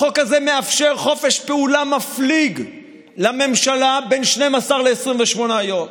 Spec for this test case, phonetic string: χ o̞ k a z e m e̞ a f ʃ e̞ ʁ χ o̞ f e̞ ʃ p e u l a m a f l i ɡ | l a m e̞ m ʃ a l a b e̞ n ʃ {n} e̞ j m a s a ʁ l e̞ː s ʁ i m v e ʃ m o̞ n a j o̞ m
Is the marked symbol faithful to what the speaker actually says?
yes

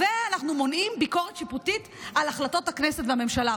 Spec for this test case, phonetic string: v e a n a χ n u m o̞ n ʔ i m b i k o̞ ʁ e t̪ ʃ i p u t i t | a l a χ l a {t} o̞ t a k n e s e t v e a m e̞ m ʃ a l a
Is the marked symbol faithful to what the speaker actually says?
yes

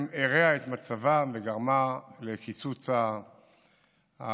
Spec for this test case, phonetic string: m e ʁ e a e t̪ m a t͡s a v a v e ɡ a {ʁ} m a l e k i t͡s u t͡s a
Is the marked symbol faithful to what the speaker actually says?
yes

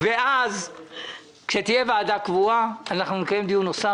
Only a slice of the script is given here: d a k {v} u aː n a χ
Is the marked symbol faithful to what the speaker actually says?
yes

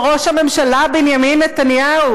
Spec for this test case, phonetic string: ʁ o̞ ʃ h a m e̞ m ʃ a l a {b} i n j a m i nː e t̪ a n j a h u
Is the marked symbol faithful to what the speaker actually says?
yes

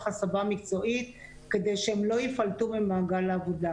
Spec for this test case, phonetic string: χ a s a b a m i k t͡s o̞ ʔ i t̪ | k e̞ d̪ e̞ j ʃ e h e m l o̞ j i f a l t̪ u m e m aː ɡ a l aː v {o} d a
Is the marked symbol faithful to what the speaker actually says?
yes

